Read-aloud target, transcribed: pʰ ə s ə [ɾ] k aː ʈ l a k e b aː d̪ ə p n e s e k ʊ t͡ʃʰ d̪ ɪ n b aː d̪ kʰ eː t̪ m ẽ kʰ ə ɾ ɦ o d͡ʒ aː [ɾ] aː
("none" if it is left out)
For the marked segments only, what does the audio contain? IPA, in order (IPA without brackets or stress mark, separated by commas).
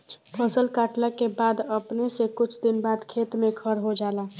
l, l